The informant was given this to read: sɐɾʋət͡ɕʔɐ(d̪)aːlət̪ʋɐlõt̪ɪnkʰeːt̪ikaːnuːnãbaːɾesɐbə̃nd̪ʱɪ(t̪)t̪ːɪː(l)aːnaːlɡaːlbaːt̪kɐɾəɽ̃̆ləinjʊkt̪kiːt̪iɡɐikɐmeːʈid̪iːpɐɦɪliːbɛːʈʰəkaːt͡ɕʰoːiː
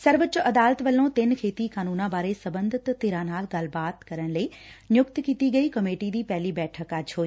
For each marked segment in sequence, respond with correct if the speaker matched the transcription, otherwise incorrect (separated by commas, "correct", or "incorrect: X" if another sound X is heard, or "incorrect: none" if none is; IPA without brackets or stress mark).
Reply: correct, correct, incorrect: ɾ